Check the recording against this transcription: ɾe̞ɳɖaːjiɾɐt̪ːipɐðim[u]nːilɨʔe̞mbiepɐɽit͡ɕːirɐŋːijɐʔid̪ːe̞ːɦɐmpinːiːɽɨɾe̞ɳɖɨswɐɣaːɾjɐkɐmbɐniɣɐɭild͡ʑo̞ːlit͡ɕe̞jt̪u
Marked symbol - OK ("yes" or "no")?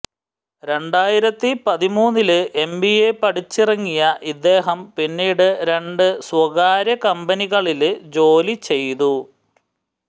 no